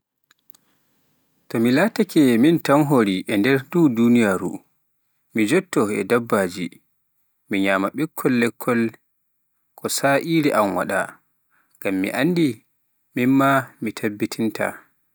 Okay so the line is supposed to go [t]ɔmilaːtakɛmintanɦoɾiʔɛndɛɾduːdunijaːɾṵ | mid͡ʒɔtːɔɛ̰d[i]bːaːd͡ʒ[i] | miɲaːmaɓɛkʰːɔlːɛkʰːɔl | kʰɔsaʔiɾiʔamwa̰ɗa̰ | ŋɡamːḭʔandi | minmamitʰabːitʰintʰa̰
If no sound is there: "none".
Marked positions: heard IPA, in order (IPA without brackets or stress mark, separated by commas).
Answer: t, a, i